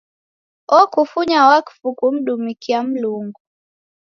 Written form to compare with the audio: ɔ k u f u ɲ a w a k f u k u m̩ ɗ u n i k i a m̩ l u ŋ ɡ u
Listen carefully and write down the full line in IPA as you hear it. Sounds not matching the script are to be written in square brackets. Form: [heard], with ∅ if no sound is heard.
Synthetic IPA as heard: ɔ k u f u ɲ a w a k f u k u m̩ ɗ u [m] i k i a m̩ l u ŋ ɡ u